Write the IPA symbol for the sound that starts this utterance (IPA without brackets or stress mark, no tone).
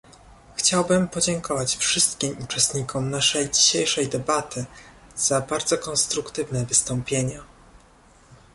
x